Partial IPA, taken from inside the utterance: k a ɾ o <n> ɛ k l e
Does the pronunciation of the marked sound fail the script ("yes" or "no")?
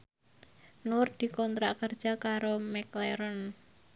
yes